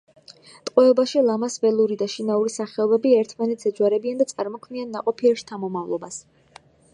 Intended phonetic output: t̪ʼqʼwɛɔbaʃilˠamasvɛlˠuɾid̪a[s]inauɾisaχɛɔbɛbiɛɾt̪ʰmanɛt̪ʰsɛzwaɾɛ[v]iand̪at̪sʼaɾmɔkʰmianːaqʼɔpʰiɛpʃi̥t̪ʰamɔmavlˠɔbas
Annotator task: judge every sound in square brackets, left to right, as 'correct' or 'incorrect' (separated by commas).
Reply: incorrect, incorrect